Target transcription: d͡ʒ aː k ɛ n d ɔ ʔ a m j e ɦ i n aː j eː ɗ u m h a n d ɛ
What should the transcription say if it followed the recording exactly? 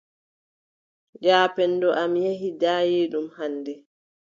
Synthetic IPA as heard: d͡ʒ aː p ɛ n d ɔ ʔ a m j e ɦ i d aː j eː ɗ u m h a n d ɛ